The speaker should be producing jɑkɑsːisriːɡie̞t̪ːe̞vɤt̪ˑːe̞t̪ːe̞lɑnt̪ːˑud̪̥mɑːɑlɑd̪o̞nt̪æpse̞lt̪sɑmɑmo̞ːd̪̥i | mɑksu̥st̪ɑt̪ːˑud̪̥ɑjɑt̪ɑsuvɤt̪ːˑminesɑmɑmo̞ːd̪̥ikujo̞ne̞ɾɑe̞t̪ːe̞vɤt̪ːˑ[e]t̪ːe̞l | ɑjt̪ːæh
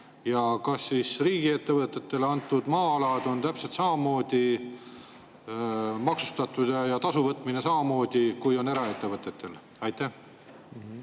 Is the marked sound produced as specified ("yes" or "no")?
yes